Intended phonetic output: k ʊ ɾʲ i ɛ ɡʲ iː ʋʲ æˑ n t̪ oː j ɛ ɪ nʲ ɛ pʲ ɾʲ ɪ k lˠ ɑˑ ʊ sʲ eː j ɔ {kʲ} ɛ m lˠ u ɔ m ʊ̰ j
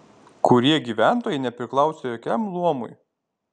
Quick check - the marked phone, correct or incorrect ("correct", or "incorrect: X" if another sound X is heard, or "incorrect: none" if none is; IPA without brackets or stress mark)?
correct